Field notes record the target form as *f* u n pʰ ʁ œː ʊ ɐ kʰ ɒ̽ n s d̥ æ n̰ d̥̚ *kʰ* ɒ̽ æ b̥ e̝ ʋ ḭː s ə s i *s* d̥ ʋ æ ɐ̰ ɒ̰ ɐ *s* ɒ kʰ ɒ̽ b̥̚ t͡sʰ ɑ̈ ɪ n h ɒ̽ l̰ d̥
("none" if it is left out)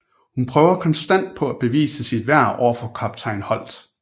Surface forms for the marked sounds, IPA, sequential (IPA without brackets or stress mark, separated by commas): h, pʰ, none, f